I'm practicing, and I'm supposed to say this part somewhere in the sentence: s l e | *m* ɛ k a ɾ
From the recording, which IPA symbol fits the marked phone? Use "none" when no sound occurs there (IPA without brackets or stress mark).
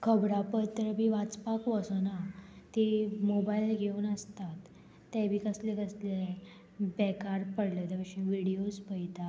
b